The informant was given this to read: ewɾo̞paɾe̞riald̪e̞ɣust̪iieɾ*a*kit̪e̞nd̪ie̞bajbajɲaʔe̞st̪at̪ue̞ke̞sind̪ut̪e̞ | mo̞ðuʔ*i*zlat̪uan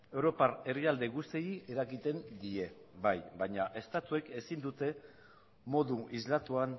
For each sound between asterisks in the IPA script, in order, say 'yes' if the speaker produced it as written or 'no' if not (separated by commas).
yes, yes